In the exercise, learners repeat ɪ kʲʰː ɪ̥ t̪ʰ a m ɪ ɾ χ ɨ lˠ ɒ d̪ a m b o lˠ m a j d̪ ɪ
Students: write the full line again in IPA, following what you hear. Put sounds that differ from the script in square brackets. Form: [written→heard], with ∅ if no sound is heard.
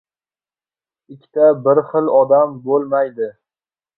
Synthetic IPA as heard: ɪ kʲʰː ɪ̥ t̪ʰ a [m→b] ɪ ɾ χ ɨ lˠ ɒ d̪ a m b o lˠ m a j d̪ ɪ